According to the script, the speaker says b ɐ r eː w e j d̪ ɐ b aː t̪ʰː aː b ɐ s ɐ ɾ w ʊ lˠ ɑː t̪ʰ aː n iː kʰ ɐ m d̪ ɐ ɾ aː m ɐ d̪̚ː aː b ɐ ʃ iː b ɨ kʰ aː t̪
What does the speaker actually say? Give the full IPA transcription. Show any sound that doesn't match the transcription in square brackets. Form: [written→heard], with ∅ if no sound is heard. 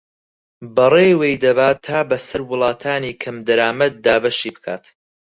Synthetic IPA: b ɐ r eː w e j d̪ ɐ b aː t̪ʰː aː b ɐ s ɐ ɾ w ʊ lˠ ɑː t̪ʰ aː n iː kʰ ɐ m d̪ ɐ ɾ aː m ɐ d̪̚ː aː b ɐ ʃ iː b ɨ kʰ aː t̪

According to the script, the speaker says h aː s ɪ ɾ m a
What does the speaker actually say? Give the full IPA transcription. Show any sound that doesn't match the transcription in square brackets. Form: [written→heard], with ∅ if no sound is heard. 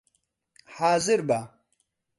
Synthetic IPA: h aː [s→z] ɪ ɾ [m→b] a

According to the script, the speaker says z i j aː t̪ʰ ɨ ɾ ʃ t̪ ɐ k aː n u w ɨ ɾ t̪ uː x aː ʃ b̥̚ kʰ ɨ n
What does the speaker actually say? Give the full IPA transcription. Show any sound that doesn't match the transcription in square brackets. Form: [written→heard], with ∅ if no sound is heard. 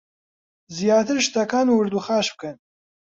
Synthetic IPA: z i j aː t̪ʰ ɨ ɾ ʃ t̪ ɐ k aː n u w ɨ ɾ [t̪→d̪] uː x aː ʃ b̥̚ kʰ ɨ n

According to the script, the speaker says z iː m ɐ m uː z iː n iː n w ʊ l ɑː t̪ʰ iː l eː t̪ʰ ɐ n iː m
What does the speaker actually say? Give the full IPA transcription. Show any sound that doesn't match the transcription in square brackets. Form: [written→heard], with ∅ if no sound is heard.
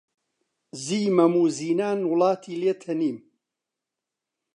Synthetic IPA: z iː m ɐ m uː z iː n [iː→aː] n w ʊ l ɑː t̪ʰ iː l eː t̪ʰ ɐ n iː m

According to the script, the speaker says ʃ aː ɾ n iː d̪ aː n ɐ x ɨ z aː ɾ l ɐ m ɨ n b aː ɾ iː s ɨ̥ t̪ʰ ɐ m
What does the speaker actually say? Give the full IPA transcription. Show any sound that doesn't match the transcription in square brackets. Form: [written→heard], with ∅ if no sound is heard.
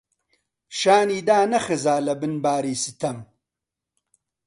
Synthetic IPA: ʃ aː [ɾ→∅] n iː d̪ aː n ɐ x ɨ z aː [ɾ→∅] l ɐ [m→b] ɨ n b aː ɾ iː s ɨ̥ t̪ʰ ɐ m

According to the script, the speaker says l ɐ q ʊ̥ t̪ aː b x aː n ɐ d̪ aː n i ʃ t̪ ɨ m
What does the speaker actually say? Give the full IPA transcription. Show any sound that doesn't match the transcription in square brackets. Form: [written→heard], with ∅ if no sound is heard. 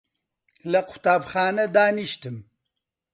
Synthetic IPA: l ɐ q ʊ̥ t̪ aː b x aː n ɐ d̪ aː n i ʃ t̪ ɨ m

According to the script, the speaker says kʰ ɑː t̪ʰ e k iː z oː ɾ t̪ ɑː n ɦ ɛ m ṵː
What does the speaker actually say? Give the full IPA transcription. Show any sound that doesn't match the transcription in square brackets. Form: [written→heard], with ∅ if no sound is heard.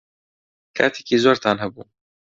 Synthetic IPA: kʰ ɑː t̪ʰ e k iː z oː ɾ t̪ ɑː n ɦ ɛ [m→b] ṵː

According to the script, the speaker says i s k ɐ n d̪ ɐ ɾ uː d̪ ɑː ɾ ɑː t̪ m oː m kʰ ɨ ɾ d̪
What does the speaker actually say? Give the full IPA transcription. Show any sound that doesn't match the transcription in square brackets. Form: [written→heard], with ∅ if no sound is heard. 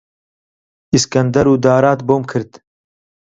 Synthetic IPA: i s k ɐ n d̪ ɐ ɾ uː d̪ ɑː ɾ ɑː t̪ [m→b] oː m kʰ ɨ ɾ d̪

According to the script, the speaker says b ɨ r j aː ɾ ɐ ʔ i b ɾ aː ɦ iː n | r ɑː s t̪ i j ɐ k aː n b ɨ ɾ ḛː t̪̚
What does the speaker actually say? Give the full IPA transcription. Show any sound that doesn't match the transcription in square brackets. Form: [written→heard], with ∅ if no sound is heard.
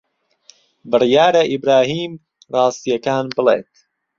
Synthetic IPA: b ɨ r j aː ɾ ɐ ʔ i b ɾ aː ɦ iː [n→m] | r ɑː s t̪ i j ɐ k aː n b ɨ [ɾ→l] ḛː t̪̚

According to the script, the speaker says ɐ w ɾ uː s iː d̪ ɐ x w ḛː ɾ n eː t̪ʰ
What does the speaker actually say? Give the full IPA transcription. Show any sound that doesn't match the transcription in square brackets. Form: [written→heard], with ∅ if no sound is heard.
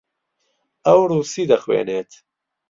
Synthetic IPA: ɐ w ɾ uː s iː d̪ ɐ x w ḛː [ɾ→∅] n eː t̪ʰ

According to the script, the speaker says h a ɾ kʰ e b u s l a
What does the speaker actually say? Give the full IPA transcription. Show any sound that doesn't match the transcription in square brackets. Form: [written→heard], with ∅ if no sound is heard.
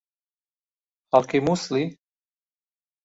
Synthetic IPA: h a [ɾ→l] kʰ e [b→m] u s l [a→i]

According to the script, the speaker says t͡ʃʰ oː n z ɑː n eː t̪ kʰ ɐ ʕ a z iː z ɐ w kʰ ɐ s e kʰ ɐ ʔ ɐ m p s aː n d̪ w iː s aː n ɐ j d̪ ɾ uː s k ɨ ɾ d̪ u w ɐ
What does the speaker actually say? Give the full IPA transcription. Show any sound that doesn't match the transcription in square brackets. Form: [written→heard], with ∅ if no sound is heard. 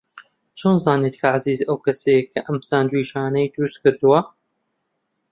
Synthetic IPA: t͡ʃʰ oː n z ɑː n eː t̪ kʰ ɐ ʕ a z iː z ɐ w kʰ ɐ s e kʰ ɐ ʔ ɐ m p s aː n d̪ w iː [s→ʃ] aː n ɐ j d̪ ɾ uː s k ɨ ɾ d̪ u w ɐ

